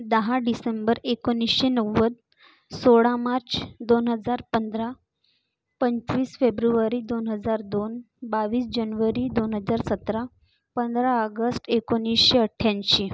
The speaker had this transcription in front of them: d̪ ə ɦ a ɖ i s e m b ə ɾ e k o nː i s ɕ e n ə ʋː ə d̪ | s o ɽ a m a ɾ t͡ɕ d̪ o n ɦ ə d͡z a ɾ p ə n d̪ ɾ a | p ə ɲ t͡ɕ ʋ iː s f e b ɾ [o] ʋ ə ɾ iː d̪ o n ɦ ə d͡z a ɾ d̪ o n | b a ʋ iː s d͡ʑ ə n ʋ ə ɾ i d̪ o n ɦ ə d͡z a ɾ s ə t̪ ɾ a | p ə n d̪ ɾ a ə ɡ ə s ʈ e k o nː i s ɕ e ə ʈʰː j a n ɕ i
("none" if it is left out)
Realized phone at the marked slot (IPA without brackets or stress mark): u